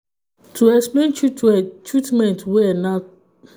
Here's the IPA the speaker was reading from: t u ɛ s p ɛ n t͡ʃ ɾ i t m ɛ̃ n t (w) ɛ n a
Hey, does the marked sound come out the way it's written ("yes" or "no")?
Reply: yes